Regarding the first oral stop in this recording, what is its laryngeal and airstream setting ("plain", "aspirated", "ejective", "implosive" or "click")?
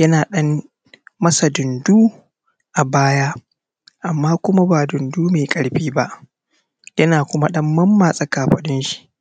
implosive